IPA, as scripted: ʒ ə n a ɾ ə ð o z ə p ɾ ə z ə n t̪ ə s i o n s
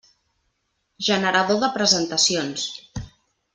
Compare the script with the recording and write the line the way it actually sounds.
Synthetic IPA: ʒ ə n ə ɾ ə ð o ð ə p ɾ ə z ə n t̪ ə s i o n s